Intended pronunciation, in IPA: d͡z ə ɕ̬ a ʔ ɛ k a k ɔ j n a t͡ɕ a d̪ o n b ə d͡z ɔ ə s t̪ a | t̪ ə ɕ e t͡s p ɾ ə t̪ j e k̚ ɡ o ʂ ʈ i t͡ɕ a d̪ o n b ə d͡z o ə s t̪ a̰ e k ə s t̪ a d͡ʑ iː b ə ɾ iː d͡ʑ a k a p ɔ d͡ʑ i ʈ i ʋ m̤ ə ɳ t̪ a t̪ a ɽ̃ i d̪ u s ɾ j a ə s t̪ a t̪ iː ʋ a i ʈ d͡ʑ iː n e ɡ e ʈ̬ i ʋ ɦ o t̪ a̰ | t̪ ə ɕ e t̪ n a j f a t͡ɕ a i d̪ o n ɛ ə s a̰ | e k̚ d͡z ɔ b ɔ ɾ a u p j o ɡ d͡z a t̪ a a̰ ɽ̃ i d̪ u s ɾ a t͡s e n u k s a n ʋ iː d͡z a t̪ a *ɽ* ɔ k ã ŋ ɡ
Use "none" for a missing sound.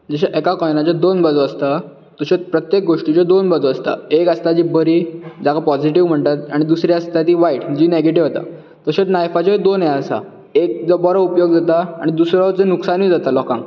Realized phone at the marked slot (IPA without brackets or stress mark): l